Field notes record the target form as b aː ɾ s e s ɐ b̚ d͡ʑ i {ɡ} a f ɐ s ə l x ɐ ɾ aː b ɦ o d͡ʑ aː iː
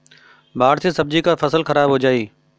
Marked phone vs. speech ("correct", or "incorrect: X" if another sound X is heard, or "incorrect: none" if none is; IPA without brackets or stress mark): incorrect: k